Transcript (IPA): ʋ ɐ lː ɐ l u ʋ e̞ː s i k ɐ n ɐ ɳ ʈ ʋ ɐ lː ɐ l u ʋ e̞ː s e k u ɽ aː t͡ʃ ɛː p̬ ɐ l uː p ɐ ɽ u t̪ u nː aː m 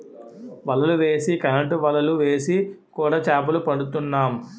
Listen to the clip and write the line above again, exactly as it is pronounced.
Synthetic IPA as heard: ʋ ɐ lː ɐ l u ʋ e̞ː s i k ɐ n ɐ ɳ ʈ ʋ ɐ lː ɐ l u ʋ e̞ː s i k uː ɽ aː t͡ʃ aː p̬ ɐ l u p ɐ ɽ u t̪ u nː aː m